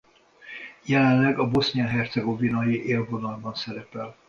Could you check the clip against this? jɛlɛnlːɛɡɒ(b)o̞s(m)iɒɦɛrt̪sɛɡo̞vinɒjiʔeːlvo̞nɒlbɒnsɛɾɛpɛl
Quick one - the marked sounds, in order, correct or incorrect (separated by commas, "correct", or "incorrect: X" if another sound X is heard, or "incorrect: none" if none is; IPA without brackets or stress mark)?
correct, incorrect: n